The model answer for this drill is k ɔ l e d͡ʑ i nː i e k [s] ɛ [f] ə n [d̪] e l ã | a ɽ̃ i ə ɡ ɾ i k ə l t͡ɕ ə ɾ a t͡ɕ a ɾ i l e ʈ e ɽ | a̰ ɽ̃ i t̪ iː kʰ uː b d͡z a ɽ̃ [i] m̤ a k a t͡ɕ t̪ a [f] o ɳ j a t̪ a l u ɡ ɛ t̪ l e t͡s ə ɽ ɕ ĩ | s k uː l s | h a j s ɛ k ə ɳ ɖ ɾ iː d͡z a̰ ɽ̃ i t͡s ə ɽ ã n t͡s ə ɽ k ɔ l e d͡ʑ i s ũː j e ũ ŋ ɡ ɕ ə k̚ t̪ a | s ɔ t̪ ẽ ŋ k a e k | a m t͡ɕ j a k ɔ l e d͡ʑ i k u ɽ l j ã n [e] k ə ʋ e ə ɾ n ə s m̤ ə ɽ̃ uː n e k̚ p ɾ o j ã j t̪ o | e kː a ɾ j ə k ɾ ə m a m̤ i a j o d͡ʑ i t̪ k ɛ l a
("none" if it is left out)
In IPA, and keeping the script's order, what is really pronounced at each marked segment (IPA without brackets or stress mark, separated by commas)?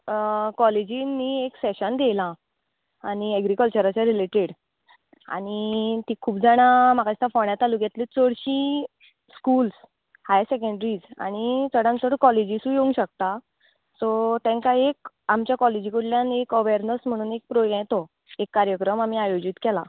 s, ɕ, d̪, a, f, e